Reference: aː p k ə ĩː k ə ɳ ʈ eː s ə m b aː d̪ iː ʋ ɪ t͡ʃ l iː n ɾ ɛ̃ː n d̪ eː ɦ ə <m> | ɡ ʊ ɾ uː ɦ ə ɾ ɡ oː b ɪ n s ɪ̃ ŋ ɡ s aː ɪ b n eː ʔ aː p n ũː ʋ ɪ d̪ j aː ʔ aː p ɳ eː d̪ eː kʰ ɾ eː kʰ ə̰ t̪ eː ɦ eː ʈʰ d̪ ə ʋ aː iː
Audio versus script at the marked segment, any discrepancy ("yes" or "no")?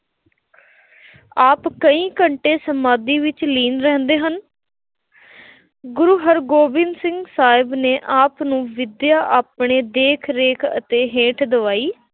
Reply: yes